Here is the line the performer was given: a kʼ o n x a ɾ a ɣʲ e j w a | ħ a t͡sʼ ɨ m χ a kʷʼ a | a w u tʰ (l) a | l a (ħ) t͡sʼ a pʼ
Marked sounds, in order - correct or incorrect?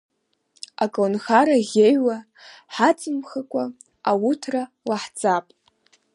incorrect: r, correct

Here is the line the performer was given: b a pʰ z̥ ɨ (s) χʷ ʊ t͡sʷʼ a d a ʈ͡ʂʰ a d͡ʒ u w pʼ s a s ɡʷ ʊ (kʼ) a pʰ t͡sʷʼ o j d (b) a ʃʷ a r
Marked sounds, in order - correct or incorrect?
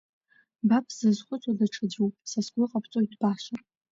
incorrect: z, incorrect: qʼ, correct

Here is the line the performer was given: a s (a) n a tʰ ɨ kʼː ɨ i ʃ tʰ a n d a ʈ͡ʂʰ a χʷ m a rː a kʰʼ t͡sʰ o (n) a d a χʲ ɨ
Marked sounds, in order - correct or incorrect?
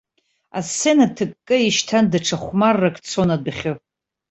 incorrect: e, correct

